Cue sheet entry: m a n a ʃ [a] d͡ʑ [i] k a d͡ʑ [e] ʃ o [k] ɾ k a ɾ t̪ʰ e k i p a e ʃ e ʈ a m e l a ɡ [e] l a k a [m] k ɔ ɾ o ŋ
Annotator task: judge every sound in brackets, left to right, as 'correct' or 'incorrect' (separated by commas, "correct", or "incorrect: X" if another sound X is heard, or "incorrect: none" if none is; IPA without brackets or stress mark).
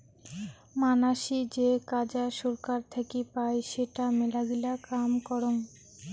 incorrect: i, incorrect: e, incorrect: a, incorrect: none, incorrect: i, correct